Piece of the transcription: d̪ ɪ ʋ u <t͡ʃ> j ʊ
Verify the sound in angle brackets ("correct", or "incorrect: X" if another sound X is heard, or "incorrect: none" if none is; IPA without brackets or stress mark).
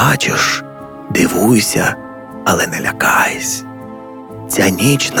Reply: incorrect: none